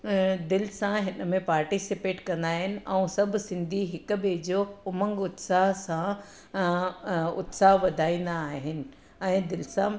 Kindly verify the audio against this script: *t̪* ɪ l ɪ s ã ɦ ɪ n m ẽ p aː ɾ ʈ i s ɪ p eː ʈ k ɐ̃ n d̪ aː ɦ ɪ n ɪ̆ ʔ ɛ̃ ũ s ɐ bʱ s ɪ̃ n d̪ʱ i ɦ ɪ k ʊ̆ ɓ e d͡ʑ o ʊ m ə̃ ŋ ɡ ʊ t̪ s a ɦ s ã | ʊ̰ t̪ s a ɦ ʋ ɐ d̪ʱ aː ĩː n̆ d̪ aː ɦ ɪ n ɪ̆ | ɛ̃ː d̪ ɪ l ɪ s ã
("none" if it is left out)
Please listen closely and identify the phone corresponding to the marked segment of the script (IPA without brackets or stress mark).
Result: d̪